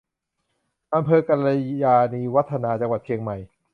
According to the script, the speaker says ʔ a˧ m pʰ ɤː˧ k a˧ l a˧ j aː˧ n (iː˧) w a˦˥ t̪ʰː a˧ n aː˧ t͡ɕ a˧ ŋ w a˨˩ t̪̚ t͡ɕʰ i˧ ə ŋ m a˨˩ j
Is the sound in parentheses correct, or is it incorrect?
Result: correct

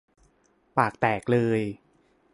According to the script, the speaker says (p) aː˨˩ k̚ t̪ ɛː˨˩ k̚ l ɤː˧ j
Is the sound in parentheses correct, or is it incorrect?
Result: correct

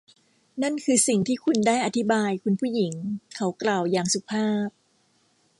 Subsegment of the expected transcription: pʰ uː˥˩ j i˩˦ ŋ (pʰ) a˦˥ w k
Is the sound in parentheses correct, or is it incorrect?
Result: incorrect: kʰ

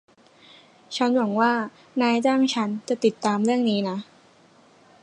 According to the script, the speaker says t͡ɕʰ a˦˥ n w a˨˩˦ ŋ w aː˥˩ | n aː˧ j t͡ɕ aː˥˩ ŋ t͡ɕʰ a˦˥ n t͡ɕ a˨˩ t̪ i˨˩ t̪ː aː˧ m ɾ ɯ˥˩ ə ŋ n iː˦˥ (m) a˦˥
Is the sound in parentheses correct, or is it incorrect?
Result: incorrect: n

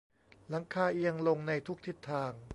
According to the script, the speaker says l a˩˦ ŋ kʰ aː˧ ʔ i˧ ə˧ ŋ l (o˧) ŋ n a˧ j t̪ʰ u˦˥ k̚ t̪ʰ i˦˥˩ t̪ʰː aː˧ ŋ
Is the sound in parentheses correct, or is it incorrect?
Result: correct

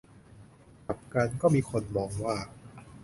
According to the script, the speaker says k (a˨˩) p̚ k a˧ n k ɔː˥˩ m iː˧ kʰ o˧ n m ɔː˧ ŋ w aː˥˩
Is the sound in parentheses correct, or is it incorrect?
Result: correct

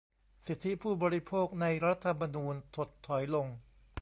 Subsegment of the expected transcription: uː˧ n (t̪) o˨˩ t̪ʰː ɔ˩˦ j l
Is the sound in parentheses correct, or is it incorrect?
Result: incorrect: t̪ʰ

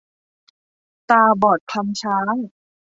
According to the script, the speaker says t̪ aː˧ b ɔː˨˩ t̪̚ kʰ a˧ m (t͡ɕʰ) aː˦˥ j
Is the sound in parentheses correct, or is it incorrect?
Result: correct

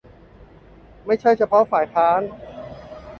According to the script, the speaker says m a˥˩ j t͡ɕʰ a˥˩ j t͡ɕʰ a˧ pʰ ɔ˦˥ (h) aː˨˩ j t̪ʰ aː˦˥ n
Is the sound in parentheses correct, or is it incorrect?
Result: incorrect: f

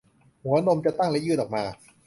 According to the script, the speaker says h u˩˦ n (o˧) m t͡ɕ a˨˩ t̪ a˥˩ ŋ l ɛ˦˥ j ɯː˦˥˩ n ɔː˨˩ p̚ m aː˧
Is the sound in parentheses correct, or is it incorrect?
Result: correct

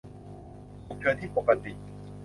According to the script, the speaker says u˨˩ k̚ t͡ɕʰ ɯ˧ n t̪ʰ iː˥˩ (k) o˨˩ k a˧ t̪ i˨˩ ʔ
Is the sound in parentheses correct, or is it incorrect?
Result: incorrect: p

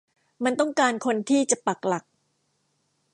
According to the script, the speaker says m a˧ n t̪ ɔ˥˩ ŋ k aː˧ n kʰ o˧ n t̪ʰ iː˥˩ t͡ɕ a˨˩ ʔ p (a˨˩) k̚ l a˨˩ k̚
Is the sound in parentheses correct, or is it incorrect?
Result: correct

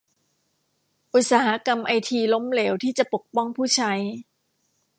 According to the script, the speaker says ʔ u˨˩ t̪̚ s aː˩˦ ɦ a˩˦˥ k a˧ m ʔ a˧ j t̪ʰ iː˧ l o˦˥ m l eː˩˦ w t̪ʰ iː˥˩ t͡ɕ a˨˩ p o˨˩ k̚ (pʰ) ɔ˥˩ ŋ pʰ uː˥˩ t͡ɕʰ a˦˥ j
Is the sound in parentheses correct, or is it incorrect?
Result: incorrect: p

